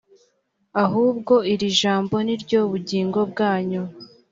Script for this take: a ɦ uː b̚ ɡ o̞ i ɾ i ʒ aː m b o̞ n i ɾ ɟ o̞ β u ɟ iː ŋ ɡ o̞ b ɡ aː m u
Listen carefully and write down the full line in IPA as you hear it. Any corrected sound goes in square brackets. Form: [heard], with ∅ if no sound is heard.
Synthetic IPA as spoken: a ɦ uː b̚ ɡ o̞ i ɾ i ʒ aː m b o̞ n i ɾ ɟ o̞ β u ɟ iː ŋ ɡ o̞ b ɡ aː [ɲ] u